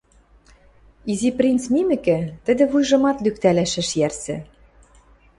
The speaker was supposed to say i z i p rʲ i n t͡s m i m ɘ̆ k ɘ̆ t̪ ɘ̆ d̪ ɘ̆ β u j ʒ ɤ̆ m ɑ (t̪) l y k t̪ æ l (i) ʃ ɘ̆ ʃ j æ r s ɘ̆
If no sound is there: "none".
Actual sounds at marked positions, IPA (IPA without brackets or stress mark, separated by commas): t̪, æ